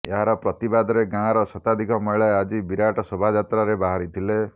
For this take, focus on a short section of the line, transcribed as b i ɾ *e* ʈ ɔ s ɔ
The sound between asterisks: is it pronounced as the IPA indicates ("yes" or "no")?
no